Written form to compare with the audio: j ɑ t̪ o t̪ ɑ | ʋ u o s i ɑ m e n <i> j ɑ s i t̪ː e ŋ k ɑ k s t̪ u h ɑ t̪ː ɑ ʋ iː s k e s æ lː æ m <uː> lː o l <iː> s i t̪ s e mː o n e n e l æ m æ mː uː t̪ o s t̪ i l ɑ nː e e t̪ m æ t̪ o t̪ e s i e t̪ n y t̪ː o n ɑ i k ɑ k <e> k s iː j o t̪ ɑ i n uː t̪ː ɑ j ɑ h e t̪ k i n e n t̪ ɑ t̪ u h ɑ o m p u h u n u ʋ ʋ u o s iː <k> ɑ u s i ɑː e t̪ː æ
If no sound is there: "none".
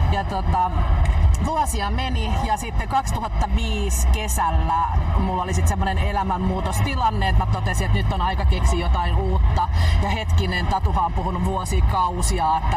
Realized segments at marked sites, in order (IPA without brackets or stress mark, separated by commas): i, u, i, e, k